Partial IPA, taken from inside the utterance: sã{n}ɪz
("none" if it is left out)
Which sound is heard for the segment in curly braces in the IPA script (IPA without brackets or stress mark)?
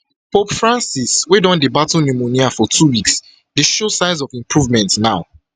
none